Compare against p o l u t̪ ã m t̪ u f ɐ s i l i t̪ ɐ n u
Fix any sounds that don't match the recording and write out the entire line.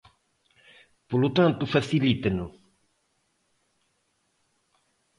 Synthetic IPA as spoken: p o l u t̪ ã n t̪ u f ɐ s i l i t̪ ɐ n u